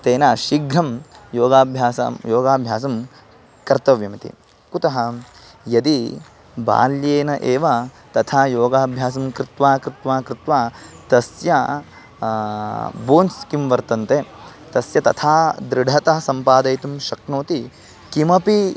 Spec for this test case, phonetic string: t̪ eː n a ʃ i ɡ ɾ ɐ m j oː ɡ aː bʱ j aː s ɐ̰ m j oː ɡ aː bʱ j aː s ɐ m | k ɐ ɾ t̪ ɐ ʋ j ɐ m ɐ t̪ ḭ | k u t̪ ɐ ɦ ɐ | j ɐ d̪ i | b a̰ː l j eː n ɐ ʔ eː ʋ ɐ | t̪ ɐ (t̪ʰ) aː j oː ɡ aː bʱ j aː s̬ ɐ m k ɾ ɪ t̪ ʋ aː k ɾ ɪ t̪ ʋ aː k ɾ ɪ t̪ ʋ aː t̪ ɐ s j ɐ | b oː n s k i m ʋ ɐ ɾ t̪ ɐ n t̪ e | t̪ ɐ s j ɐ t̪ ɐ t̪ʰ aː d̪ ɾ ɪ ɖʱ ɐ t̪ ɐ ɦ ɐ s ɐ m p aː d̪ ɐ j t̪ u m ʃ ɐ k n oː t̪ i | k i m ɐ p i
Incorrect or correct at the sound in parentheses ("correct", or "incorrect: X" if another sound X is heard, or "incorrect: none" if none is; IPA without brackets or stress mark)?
correct